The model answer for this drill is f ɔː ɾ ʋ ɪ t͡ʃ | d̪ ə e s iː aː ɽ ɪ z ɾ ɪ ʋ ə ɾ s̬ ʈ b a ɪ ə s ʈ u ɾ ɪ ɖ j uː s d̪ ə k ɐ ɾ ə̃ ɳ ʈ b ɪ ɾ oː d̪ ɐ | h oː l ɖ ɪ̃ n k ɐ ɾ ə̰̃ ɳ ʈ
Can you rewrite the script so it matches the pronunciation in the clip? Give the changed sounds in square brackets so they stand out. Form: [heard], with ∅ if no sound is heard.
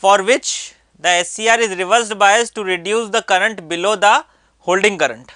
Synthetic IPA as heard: f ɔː ɾ ʋ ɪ t͡ʃ | d̪ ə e s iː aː [ɾ] ɪ z ɾ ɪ ʋ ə ɾ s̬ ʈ b a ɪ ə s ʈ u ɾ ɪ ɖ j uː s d̪ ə k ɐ ɾ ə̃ ɳ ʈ b ɪ [l] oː d̪ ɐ | h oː l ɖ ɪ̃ [ŋ] k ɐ ɾ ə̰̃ ɳ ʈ